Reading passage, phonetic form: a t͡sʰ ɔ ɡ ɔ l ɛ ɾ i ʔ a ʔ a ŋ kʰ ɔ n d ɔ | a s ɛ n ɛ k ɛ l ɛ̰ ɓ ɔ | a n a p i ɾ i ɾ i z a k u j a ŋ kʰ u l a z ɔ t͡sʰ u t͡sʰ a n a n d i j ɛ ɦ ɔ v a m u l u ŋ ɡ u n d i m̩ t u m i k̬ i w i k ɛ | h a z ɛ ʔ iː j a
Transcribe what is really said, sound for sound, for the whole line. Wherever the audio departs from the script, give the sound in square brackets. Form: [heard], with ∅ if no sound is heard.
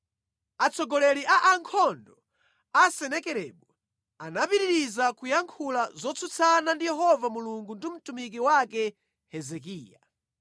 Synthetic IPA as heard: a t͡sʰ ɔ ɡ ɔ l ɛ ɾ i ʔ a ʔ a ŋ kʰ ɔ n d ɔ | a s ɛ n ɛ k ɛ [ɾ] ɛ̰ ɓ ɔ | a n a p i ɾ i ɾ i z a k u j a ŋ kʰ u l a z ɔ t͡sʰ u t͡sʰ a n a n d i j ɛ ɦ ɔ v a m u l u ŋ ɡ u n d i m̩ t u m i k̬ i w [a] k ɛ | h [ɛ] z ɛ [k] iː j a